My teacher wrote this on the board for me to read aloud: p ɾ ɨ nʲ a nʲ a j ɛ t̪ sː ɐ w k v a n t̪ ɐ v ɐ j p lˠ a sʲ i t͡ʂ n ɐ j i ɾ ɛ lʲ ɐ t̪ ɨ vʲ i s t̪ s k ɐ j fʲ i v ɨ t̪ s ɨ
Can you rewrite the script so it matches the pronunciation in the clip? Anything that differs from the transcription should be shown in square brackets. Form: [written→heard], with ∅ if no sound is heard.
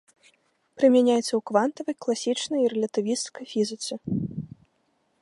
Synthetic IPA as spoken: p ɾ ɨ [nʲ→mʲ] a nʲ a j ɛ t̪ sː ɐ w k v a n t̪ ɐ v ɐ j [p→k] lˠ a sʲ i t͡ʂ n ɐ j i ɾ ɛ lʲ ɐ t̪ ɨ vʲ i s t̪ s k ɐ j fʲ i [v→z] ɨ t̪ s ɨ

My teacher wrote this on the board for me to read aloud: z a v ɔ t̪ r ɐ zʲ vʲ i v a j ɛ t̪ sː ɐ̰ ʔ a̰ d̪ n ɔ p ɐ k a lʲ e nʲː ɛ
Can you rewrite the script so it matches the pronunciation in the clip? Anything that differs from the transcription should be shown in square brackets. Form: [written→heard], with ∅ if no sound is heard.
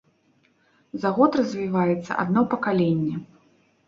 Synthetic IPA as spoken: z a [v→ɣ] ɔ t̪ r ɐ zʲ vʲ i v a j ɛ t̪ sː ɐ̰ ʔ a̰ d̪ n ɔ p ɐ k a lʲ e nʲː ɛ

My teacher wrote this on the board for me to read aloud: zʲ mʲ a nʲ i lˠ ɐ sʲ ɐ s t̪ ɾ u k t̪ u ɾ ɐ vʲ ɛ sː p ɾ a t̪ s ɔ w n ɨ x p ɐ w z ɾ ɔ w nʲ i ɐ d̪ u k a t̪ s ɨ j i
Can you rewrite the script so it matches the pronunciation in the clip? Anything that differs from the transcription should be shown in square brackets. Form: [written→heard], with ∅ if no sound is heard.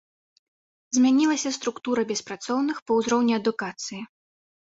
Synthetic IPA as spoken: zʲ mʲ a nʲ i lˠ ɐ sʲ ɐ s t̪ ɾ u k t̪ u ɾ ɐ [vʲ→bʲ] ɛ [sː→s] p ɾ a t̪ s ɔ w n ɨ x p ɐ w z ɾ ɔ w nʲ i ɐ d̪ u k a t̪ s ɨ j i

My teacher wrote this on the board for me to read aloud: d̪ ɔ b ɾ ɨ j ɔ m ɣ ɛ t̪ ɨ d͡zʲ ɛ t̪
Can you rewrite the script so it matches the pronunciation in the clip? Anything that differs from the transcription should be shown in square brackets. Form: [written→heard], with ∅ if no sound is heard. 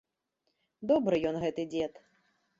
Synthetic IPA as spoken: d̪ ɔ b ɾ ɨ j ɔ [m→n] ɣ ɛ t̪ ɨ d͡zʲ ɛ t̪

